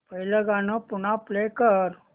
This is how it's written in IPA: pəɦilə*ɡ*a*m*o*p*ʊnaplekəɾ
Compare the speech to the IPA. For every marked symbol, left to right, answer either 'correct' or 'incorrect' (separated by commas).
correct, incorrect, correct